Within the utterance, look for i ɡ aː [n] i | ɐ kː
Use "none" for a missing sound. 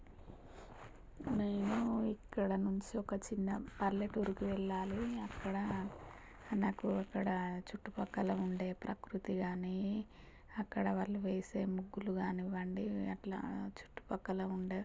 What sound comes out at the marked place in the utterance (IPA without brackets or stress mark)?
n